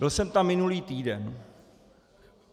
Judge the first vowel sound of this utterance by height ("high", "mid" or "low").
high